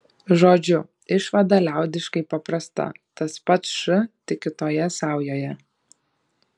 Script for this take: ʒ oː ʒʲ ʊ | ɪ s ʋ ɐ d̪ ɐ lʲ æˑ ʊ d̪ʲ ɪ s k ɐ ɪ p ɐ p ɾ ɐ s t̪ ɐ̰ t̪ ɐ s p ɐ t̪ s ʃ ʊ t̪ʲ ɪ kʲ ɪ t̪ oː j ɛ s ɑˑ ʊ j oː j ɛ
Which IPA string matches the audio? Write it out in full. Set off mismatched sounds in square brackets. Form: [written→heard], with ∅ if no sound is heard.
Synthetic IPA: ʒ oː [ʒʲ→d͡ʒʲ] ʊ | ɪ [s→ʃ] ʋ ɐ d̪ ɐ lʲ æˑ ʊ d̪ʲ ɪ [s→ʃ] k ɐ ɪ p ɐ p ɾ ɐ s t̪ ɐ̰ t̪ ɐ s p ɐ t̪ s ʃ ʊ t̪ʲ ɪ kʲ ɪ t̪ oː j ɛ s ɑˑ ʊ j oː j ɛ

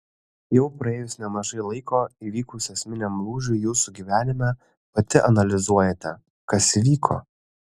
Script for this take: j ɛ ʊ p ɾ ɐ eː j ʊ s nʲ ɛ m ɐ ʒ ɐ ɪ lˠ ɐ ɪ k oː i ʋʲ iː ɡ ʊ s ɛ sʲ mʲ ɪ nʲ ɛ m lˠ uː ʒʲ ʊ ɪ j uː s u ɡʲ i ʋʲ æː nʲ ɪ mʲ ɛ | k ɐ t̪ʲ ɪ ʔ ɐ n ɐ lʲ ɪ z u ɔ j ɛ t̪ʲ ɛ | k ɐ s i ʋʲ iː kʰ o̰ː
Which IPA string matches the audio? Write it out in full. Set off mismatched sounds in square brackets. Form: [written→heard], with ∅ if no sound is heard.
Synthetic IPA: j ɛ ʊ p ɾ ɐ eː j ʊ s nʲ ɛ m ɐ ʒ ɐ ɪ lˠ ɐ ɪ k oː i ʋʲ iː [ɡ→k] ʊ s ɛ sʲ mʲ ɪ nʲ ɛ m lˠ uː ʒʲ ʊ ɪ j uː s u ɡʲ i ʋʲ æː nʲ ɪ mʲ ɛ | [k→p] ɐ t̪ʲ ɪ ʔ ɐ n ɐ lʲ ɪ z u ɔ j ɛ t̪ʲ ɛ | k ɐ s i ʋʲ iː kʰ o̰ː

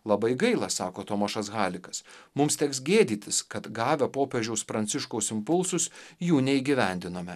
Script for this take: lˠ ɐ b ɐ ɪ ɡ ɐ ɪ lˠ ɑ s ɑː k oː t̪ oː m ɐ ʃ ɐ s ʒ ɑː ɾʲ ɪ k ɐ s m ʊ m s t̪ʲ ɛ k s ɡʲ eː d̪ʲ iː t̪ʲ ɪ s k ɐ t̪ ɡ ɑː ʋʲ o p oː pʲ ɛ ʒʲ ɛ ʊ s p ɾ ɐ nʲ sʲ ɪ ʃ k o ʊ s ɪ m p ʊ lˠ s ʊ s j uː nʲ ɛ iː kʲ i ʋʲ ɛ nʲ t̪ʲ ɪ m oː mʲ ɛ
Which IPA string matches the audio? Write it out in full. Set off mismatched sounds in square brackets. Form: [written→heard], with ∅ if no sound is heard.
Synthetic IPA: lˠ ɐ b ɐ ɪ ɡ ɐ ɪ lˠ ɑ s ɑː k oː t̪ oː m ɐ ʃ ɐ s [ʒ→ɣ] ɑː [ɾʲ→lʲ] ɪ k ɐ s m ʊ m s t̪ʲ ɛ k s ɡʲ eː d̪ʲ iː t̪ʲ ɪ s k ɐ t̪ ɡ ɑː ʋʲ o p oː pʲ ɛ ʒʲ ɛ ʊ s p ɾ ɐ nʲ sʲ ɪ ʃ k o ʊ s ɪ m p ʊ lˠ s ʊ s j uː nʲ ɛ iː [kʲ→ɡʲ] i ʋʲ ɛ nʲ [t̪ʲ→d̪ʲ] ɪ [m→n] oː mʲ ɛ

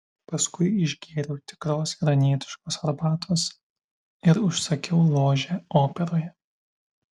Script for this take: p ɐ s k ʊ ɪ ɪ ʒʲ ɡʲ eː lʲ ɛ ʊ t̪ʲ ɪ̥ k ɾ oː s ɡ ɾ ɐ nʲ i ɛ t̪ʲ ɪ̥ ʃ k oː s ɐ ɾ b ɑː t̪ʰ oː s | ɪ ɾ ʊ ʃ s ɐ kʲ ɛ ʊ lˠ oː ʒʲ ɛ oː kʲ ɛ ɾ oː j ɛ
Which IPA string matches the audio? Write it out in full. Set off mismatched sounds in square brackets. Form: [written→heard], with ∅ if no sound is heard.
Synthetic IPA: p ɐ s k ʊ ɪ ɪ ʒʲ ɡʲ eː [lʲ→ɾʲ] ɛ ʊ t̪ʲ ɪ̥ k ɾ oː s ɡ ɾ ɐ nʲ i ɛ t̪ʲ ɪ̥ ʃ k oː s ɐ ɾ b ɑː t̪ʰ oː s | ɪ ɾ ʊ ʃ s ɐ kʲ ɛ ʊ lˠ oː ʒʲ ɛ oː [kʲ→pʲ] ɛ ɾ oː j ɛ

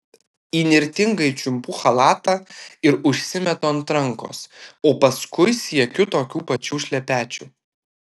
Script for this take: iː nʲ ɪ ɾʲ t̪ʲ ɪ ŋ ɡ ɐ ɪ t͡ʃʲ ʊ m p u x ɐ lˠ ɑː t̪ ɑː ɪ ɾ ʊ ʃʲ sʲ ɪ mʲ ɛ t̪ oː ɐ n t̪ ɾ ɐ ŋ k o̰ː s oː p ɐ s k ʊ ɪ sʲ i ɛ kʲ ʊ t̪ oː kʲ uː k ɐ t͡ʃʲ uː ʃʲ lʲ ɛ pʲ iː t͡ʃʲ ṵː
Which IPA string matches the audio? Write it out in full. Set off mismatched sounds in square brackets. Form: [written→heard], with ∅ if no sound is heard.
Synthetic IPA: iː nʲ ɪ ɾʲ t̪ʲ ɪ ŋ ɡ ɐ ɪ t͡ʃʲ ʊ m p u x ɐ lˠ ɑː t̪ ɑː ɪ ɾ ʊ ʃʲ sʲ ɪ mʲ ɛ t̪ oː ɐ n t̪ ɾ ɐ ŋ k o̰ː s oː p ɐ s k ʊ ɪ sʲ i ɛ kʲ ʊ t̪ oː kʲ uː [k→p] ɐ t͡ʃʲ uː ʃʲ lʲ ɛ pʲ [iː→æː] t͡ʃʲ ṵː

